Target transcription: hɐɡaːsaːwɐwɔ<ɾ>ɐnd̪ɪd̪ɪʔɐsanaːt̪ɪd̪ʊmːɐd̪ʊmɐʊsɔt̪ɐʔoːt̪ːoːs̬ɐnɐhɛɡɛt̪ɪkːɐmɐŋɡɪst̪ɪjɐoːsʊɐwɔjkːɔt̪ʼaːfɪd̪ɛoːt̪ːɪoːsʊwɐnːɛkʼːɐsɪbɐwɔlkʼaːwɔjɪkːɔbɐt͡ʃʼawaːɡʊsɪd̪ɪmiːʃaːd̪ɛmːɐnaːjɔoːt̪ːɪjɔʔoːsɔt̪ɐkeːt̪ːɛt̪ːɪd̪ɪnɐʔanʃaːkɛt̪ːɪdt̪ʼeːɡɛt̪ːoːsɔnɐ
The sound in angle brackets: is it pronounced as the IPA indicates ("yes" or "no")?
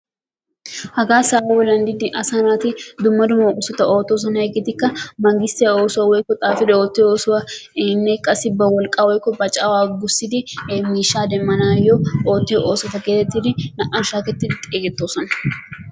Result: no